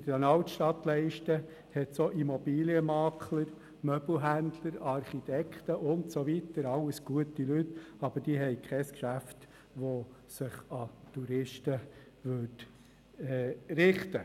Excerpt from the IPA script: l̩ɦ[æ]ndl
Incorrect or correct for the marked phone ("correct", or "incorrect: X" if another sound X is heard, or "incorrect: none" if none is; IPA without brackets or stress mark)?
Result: correct